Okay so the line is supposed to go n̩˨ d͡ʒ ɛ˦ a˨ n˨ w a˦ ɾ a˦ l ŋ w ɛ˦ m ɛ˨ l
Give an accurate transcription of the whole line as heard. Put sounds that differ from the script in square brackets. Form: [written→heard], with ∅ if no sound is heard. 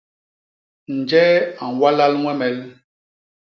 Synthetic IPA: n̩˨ d͡ʒ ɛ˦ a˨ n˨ w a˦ [ɾ→l] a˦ l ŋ w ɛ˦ m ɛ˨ l